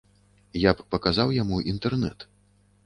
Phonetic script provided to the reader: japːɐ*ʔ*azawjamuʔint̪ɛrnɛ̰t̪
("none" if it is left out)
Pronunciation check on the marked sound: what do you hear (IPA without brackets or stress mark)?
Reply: k